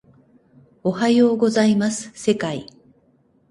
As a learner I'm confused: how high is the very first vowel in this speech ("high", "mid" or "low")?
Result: mid